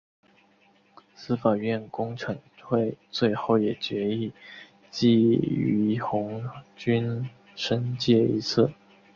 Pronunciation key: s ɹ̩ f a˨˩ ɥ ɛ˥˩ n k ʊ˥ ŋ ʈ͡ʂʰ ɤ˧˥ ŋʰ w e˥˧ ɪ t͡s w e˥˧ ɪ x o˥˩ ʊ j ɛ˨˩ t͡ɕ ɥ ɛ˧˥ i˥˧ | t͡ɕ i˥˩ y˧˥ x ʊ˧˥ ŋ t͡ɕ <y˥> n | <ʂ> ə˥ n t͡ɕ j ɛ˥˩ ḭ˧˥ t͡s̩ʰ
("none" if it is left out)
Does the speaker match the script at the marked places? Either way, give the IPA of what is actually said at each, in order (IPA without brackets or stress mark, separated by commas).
y˥, ʂ